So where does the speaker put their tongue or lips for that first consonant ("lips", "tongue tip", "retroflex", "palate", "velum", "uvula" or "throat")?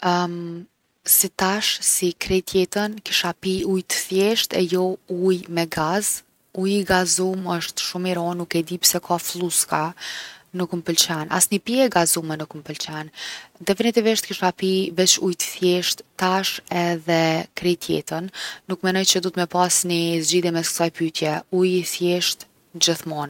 tongue tip